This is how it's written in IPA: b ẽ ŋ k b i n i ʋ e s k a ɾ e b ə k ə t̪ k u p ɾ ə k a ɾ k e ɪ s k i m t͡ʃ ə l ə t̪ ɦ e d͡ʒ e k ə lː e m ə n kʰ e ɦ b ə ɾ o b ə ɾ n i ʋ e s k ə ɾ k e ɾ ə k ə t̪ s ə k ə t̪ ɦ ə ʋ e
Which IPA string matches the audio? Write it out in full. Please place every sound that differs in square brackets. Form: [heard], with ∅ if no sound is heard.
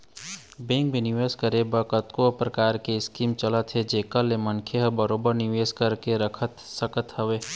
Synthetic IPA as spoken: b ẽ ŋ k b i n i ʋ e s k [ə] ɾ e b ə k ə t̪ k [o] p ɾ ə k a ɾ k e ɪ s k i m t͡ʃ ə l ə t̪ ɦ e d͡ʒ e k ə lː e m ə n kʰ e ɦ b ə ɾ o b ə ɾ n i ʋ e s k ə ɾ k e ɾ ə [kʰ] ə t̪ s ə k ə t̪ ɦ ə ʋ e